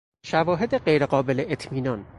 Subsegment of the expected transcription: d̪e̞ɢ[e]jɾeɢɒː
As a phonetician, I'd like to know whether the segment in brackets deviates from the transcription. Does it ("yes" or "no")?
no